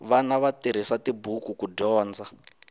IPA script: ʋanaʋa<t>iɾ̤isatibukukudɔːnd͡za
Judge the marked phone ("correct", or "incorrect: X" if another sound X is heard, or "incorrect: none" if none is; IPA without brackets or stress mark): correct